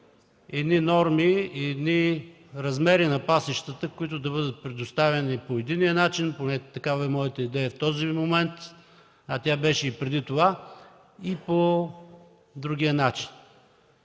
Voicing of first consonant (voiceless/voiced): voiced